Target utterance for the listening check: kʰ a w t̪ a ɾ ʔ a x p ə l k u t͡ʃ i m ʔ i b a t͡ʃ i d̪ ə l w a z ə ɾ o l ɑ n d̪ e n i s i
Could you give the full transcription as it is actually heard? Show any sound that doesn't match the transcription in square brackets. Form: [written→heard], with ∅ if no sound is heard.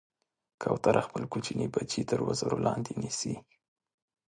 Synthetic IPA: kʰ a w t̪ a ɾ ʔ a x p ə l k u t͡ʃ i [m→n] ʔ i b a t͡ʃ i [d̪→t̪] ə [l→ɾ] w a z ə ɾ o l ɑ n d̪ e n i s i